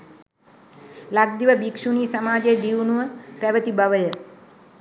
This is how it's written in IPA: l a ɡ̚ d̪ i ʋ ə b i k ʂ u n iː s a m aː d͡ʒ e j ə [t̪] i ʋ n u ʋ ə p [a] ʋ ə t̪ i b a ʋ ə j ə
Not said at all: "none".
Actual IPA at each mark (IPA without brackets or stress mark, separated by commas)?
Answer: d̪, æ